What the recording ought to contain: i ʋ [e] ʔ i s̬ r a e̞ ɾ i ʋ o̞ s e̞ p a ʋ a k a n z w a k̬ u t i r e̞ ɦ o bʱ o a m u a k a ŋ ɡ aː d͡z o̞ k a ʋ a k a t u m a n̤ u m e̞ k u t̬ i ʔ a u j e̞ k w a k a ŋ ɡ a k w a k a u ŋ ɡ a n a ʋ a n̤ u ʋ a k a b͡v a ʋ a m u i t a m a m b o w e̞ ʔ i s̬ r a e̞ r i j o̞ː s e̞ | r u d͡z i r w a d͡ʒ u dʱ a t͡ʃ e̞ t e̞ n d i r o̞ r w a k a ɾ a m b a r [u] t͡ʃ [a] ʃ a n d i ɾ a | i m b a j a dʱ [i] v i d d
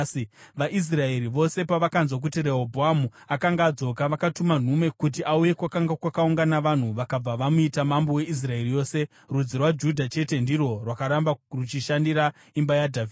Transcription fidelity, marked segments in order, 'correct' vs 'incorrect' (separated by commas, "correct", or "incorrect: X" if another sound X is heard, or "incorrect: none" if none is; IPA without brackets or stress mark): incorrect: a, correct, incorrect: i, incorrect: a